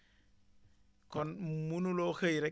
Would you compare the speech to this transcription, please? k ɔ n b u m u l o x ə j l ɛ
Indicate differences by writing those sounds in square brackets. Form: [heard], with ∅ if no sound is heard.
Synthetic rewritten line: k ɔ n [m] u [n] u l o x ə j [ɾ] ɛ